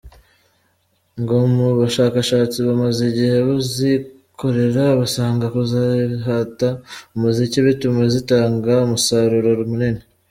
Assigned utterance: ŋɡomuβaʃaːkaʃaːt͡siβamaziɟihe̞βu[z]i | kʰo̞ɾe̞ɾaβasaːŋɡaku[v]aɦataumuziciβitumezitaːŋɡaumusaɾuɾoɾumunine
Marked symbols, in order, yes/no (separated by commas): yes, no